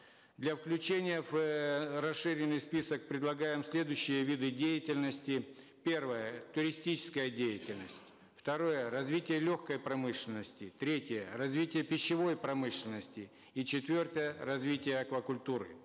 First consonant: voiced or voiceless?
voiced